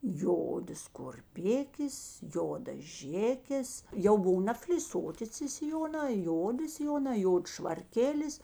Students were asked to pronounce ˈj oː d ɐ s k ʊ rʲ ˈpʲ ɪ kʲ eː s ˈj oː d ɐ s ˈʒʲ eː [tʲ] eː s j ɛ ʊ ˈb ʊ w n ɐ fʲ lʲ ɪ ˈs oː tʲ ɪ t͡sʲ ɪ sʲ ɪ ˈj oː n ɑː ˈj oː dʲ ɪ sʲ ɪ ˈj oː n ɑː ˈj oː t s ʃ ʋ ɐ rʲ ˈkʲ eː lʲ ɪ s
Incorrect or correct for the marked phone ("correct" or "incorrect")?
incorrect